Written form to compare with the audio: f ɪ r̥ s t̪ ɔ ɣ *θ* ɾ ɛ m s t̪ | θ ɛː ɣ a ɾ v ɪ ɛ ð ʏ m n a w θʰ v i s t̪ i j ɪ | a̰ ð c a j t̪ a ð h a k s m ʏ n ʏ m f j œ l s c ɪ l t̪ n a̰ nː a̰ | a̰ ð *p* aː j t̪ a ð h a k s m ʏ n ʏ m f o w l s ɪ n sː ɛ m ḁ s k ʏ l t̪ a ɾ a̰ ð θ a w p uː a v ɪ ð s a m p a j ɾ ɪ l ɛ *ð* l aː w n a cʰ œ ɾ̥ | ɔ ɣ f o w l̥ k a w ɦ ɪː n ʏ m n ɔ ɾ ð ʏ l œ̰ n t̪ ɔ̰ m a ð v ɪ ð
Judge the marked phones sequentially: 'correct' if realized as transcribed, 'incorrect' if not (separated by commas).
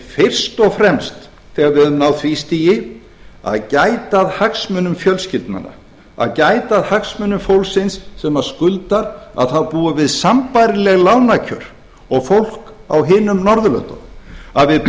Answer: incorrect, incorrect, incorrect